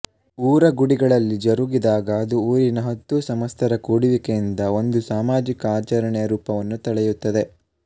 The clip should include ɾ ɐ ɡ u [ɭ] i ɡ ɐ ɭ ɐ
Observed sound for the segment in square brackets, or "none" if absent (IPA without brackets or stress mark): ɽ